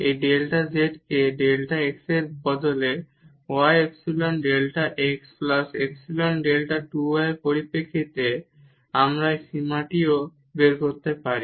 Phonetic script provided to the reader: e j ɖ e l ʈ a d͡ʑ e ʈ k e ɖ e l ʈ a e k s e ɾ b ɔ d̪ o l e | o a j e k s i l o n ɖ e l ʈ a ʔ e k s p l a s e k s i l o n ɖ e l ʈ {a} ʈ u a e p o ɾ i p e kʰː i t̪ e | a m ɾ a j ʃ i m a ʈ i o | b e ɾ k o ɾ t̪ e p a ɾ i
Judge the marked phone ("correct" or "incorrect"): correct